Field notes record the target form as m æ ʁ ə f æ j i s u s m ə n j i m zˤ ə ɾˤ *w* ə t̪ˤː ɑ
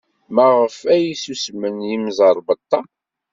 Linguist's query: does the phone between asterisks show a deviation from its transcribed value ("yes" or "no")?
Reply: yes